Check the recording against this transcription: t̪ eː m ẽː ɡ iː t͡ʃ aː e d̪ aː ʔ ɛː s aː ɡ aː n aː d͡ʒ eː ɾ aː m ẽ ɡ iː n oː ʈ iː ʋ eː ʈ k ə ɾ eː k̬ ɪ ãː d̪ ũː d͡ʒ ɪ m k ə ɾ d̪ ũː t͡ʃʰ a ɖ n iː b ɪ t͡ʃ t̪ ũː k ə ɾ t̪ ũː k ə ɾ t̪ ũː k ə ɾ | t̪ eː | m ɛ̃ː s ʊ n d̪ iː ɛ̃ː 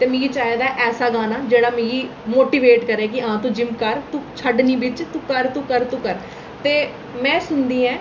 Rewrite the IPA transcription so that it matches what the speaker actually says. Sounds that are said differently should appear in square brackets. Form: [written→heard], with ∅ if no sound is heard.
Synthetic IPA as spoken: t̪ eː m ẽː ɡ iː t͡ʃ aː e d̪ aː ʔ ɛː s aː ɡ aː n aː d͡ʒ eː [ɾ→ɽ] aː m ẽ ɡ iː [n→m] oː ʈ iː ʋ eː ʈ k ə ɾ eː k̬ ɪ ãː [d̪→t̪] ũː d͡ʒ ɪ m k ə ɾ [d̪→t̪] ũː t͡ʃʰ [a→ə] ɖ n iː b ɪ t͡ʃ t̪ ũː k ə ɾ t̪ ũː k ə ɾ t̪ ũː k ə ɾ | t̪ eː | m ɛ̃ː s ʊ n d̪ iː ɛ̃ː